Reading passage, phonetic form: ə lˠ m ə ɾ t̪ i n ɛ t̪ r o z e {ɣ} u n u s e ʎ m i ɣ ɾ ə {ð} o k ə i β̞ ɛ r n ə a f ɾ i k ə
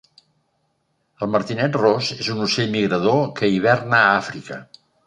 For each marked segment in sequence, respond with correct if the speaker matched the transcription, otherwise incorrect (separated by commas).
incorrect, correct